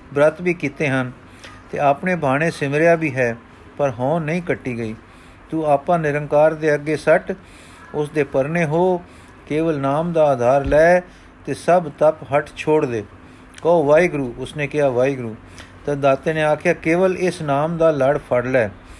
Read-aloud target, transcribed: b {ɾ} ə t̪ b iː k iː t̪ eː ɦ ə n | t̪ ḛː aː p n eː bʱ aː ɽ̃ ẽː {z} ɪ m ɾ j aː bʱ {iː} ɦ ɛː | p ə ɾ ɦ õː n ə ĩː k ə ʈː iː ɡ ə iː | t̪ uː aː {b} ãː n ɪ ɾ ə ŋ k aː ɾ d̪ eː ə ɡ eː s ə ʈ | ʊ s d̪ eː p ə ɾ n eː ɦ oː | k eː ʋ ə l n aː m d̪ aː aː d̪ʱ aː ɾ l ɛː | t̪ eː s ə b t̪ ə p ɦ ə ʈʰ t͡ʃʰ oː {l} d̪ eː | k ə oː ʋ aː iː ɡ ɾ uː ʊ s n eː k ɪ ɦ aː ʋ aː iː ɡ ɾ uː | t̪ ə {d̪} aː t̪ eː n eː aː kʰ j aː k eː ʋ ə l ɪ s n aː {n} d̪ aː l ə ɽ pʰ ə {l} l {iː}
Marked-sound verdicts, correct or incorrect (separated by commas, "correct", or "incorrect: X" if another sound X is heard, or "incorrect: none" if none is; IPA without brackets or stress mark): correct, incorrect: s, correct, incorrect: p, incorrect: ɽ, correct, incorrect: m, incorrect: ɽ, incorrect: ɛː